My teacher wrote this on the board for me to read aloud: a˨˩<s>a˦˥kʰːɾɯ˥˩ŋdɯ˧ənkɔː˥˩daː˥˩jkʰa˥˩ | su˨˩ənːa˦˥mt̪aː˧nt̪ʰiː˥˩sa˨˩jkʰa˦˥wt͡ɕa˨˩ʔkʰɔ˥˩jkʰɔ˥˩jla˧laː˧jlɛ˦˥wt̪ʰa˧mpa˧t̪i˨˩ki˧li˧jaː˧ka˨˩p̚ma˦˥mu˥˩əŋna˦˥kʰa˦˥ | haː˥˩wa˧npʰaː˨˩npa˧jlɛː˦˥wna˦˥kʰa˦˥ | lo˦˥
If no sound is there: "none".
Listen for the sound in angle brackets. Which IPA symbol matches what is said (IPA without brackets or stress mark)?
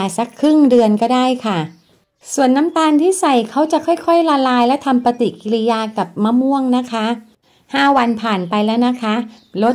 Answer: s